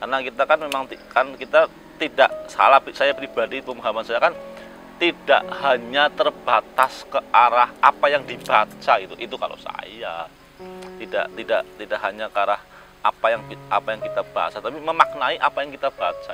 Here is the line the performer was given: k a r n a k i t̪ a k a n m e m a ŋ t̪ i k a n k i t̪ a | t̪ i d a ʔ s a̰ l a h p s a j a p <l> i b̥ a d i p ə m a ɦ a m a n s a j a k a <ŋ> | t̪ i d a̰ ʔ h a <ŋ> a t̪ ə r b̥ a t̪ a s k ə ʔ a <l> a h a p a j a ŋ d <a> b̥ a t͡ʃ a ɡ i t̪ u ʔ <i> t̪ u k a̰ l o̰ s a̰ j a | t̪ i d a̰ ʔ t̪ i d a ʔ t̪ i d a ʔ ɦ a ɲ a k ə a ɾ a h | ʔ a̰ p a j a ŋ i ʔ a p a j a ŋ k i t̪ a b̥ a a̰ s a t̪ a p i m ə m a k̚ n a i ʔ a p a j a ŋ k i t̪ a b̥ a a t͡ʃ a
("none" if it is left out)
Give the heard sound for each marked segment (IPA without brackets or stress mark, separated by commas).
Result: ɾ, n, ɲ, ɾ, i, i